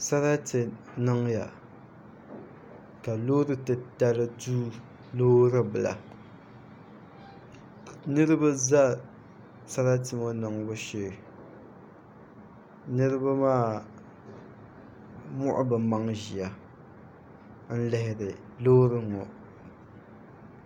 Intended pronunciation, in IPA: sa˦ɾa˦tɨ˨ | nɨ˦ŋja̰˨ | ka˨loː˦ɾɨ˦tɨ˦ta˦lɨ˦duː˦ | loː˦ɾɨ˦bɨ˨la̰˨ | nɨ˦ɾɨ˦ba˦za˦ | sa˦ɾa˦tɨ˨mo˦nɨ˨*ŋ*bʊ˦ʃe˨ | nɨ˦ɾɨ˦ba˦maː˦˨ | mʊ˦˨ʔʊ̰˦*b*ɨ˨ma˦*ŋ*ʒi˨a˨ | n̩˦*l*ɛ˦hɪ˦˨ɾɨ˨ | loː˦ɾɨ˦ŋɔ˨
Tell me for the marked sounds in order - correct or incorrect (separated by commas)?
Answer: correct, correct, correct, correct